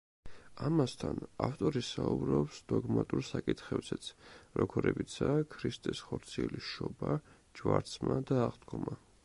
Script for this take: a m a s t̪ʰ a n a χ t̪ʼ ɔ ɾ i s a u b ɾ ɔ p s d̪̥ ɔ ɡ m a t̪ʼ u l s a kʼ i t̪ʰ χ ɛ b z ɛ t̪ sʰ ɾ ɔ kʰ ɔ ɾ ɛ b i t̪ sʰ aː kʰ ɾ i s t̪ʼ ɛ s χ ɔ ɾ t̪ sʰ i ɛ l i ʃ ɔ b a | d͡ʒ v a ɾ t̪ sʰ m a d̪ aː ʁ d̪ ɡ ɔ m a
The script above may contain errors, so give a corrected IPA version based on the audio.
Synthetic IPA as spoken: a m a s t̪ʰ a n a f t̪ʼ ɔ ɾ i s a u b ɾ ɔ p s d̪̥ ɔ ɡ m a t̪ʼ u ɾ s a kʼ i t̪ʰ χ ɛ b z ɛ t̪ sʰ ɾ ɔ kʰ ɔ ɾ ɛ b i t̪ sʰ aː kʰ ɾ i s t̪ʼ ɛ s χ ɔ ɾ t̪ sʰ i ɛ l i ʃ ɔ b a | d͡ʒ v a ɾ t̪ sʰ m a d̪ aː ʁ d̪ ɡ ɔ m a